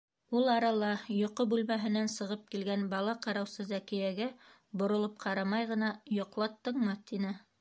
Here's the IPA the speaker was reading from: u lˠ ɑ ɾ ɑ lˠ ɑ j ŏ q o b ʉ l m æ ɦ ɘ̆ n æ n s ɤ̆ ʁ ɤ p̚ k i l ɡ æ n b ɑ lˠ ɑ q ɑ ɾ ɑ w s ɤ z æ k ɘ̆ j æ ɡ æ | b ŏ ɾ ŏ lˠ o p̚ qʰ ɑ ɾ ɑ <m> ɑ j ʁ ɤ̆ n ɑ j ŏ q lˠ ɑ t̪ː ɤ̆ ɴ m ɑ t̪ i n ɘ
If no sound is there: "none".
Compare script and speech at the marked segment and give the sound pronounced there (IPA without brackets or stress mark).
m